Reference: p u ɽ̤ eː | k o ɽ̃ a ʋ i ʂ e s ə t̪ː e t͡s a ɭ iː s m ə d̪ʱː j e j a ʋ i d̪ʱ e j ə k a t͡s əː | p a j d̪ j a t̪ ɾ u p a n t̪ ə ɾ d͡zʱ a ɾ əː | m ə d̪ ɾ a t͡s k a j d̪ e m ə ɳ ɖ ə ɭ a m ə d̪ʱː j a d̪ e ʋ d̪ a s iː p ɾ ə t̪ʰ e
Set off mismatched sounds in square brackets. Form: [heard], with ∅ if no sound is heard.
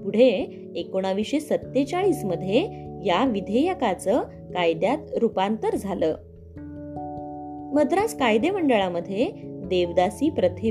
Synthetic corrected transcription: p u ɽ̤ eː | k o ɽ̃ a ʋ i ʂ e s ə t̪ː e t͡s a ɭ iː s m ə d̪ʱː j e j a ʋ i d̪ʱ e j ə k a t͡s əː | [k] a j d̪ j a t̪ ɾ u p a n t̪ ə ɾ d͡zʱ a [l] əː | m ə d̪ ɾ a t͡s k a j d̪ e m ə ɳ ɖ ə ɭ a m ə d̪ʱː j [e] d̪ e ʋ d̪ a s iː p ɾ ə t̪ʰ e